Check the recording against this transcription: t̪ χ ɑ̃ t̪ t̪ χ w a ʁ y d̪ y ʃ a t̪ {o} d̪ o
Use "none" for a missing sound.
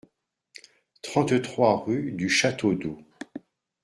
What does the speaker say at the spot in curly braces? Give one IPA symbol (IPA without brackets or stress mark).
o